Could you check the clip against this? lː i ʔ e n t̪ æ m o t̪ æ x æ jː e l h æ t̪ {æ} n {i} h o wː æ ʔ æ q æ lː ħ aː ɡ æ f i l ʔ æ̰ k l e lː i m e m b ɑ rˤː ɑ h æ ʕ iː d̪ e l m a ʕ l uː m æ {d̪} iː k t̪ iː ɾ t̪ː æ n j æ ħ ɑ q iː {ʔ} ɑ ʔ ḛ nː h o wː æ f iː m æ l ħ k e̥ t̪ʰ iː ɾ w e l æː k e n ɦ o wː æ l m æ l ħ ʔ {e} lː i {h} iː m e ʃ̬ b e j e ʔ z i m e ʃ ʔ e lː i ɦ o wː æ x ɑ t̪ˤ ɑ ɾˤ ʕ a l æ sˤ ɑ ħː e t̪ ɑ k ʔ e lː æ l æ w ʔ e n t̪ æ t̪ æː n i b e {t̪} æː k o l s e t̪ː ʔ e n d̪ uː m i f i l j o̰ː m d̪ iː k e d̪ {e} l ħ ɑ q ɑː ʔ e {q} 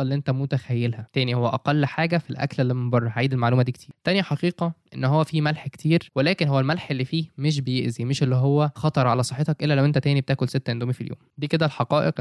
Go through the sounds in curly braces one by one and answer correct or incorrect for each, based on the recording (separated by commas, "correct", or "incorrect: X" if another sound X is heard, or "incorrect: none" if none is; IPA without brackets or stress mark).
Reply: incorrect: æː, correct, correct, incorrect: q, correct, incorrect: f, correct, incorrect: æ, correct